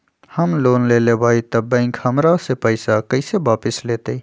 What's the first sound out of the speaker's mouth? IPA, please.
h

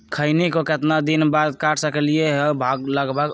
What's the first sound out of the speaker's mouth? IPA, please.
kʰ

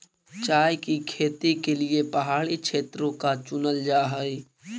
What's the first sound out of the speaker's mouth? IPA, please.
t͡ʃ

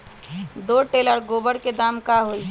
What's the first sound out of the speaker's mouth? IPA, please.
d̪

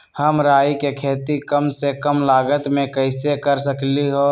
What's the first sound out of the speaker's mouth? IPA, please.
h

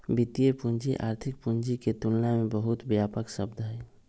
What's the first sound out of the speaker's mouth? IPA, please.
b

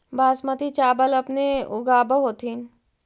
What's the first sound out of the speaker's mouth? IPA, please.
b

